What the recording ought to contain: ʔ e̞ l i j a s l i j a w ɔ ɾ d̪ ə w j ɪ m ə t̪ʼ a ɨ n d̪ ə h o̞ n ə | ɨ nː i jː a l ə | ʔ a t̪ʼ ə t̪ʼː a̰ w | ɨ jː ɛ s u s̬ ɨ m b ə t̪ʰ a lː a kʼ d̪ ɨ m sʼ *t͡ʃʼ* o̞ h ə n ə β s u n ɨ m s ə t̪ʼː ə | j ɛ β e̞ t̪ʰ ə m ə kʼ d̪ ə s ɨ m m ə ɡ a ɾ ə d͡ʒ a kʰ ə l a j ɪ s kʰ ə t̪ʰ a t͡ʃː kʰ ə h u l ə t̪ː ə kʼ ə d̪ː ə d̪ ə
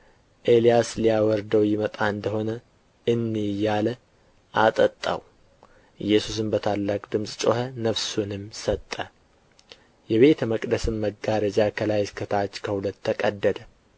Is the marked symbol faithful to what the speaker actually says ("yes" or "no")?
yes